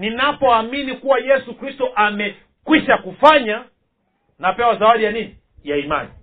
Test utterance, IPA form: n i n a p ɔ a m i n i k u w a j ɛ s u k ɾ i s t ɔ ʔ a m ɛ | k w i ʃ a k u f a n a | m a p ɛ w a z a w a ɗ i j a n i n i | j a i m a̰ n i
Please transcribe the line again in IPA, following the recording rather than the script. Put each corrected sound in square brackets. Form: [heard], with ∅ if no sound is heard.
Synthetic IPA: n i n a p ɔ a m i n i k u w a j ɛ s u k ɾ i s t ɔ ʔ a m ɛ | k w i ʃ a k u f a [ɲ] a | [n] a p ɛ w a z a w a ɗ i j a n i n i | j a i m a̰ n i